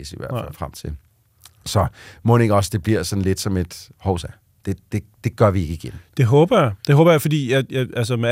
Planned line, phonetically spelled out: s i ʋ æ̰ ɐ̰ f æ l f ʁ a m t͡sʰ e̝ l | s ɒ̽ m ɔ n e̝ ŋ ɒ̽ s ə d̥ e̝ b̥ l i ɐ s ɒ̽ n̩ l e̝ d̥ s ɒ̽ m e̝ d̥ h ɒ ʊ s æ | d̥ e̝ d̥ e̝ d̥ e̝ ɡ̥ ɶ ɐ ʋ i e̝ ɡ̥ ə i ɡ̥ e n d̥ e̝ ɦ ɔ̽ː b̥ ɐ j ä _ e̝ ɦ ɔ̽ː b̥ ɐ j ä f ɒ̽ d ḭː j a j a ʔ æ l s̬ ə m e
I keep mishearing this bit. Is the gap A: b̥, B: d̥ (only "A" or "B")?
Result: B